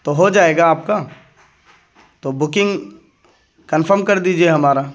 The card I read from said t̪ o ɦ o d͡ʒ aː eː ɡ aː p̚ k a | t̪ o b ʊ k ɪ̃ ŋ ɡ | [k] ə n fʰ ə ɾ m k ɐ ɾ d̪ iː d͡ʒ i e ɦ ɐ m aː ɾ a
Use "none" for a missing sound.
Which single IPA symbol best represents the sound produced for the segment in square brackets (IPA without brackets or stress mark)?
k